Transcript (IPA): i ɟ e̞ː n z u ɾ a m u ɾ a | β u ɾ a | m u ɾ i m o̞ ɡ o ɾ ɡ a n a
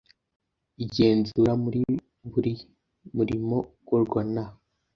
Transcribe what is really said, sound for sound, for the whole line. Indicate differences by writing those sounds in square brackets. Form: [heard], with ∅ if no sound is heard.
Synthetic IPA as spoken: i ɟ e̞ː n z u ɾ a m u ɾ [i] | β u ɾ [i] | m u ɾ i m o̞ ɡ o ɾ ɡ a n a